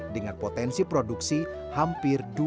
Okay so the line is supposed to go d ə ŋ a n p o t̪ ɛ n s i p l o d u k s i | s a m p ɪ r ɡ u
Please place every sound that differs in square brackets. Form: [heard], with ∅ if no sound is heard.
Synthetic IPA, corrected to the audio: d ə ŋ a n p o t̪ ɛ n s i p [ɾ] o d u k s i | [h] a m p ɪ r [d] u

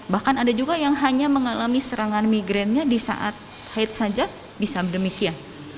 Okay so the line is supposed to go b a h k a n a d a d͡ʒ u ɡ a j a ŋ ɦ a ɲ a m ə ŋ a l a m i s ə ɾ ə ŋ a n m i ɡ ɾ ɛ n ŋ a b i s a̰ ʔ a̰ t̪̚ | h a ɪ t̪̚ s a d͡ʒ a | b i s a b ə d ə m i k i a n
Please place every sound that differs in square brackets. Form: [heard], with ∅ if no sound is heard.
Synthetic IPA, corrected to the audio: b a h k a n a d a d͡ʒ u ɡ a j a ŋ ɦ a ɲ a m ə ŋ a l a m i s ə ɾ [a] ŋ a n m i ɡ ɾ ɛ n [ɲ] a [d] i s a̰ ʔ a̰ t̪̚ | h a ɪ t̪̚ s a d͡ʒ a | b i s a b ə d ə m i k i a n

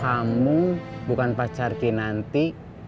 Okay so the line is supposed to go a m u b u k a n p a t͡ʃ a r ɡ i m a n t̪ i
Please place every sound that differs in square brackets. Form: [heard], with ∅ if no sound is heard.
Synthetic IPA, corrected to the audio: a m u b u k a n p a t͡ʃ a r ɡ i [n] a n t̪ i

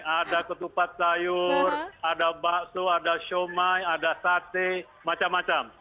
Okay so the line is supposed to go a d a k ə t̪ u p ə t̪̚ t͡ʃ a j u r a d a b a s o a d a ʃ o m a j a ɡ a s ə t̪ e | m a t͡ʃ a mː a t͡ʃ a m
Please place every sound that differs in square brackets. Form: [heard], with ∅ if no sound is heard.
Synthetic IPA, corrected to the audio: a d a k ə t̪ u p [a] t̪̚ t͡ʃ a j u r a d a b a s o a d a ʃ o m a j a [d] a s [a] t̪ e | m a t͡ʃ a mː a t͡ʃ a m

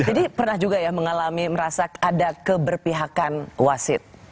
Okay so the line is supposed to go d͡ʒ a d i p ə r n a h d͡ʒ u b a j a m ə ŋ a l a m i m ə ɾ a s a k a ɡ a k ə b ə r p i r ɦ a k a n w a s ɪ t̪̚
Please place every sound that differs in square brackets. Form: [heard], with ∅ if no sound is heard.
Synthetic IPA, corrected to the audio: d͡ʒ a d i p ə r n a h d͡ʒ u [ɡ] a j a m ə ŋ a l a m i m ə ɾ a s a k a [d] a k ə b ə r p i [∅] ɦ a k a n w a s ɪ t̪̚

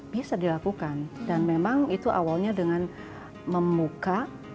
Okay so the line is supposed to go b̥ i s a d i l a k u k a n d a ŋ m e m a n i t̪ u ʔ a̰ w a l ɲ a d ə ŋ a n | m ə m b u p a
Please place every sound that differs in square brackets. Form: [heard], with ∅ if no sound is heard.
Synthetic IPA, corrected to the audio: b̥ i s a d i l a k u k a n d a [n] m e m a [ŋ] i t̪ u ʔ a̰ w a l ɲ a d ə ŋ a n | m ə m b u [k] a

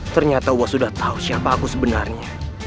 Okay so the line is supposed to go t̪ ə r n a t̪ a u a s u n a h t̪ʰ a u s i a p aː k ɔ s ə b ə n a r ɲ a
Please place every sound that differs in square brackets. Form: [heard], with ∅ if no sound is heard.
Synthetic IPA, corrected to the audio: t̪ ə r [ɲ] a t̪ a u a s u [d] a h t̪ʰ a u s i a p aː k [u] s ə b ə n a r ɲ a

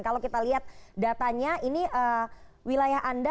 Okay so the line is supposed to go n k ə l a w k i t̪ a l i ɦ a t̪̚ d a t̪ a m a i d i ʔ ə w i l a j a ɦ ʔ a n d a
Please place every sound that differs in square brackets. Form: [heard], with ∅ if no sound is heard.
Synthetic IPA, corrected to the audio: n k [a] l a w k i t̪ a l i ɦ a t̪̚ d a t̪ a [ɲ] a i [n] i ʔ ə w i l a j a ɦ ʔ a n d a

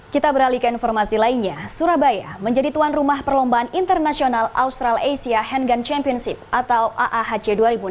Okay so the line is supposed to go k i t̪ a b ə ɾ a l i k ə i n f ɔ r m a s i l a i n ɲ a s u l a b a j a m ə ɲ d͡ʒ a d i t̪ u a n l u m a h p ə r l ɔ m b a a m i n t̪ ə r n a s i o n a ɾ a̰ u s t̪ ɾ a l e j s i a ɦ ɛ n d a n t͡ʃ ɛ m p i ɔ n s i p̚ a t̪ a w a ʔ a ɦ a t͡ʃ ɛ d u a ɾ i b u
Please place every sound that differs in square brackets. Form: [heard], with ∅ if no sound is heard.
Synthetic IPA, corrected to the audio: k i t̪ a b ə ɾ a l i k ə i n f ɔ r m a s i l a i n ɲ a s u [ɾ] a b a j a m ə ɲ d͡ʒ a d i t̪ u a n [r] u m a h p ə r l ɔ m b a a [n] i n t̪ ə r n a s i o n a [l] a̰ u s t̪ ɾ a l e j s i a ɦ ɛ n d a n t͡ʃ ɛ m p i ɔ n s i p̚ a t̪ a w a ʔ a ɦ a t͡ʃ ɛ d u a ɾ i b u

